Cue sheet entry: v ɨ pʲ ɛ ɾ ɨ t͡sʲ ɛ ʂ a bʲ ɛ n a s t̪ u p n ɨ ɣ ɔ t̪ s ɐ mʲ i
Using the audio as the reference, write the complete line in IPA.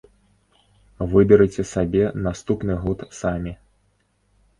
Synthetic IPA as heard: v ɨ bʲ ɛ ɾ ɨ t͡sʲ ɛ s a bʲ ɛ n a s t̪ u p n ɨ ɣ ɔ t̪ s a mʲ i